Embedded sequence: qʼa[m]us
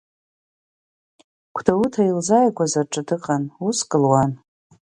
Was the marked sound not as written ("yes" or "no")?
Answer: yes